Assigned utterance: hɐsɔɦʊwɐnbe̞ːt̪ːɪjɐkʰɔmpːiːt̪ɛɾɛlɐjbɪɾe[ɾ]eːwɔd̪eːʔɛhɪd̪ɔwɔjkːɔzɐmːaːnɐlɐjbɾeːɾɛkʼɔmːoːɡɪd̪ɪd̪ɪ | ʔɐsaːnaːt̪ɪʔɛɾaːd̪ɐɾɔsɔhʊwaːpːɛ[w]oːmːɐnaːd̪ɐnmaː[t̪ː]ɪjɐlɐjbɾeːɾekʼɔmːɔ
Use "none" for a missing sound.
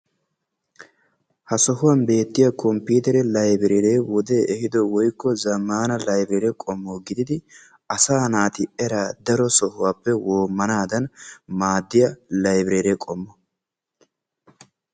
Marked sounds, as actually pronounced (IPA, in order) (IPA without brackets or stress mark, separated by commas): ɾ, w, d̪ː